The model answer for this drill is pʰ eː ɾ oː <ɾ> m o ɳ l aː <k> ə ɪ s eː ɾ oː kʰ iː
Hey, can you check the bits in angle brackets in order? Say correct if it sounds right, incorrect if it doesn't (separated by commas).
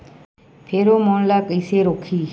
incorrect, correct